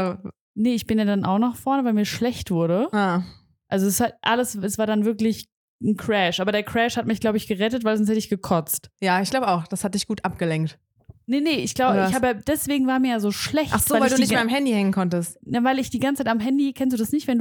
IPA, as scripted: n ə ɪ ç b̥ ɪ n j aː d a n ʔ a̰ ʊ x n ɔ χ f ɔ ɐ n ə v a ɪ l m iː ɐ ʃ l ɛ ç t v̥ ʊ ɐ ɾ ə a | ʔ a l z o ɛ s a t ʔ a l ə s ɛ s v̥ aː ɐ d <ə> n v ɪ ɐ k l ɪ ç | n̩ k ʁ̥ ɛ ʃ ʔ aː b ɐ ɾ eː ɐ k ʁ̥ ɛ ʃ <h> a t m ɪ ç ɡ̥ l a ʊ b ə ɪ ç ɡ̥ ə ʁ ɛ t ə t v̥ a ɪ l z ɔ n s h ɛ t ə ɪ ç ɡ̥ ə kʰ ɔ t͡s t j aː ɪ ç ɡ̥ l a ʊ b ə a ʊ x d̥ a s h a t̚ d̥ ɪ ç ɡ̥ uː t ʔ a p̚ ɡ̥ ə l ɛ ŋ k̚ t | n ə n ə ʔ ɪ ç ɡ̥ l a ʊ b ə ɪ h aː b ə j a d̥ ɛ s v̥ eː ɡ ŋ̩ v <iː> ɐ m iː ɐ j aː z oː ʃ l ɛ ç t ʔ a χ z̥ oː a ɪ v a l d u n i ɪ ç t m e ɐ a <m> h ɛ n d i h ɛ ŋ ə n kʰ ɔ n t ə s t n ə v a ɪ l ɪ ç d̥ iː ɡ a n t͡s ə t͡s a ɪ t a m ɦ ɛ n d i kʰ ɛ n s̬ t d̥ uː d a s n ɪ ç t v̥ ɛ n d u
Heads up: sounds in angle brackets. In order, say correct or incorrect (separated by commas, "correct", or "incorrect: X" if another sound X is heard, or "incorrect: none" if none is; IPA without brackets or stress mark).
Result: incorrect: a, correct, incorrect: aː, correct